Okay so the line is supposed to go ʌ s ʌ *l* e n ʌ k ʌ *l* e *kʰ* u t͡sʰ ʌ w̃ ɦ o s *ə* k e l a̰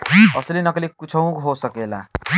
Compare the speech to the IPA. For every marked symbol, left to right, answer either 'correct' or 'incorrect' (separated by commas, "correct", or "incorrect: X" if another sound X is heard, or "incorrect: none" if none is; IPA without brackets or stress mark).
correct, correct, incorrect: k, incorrect: ʌ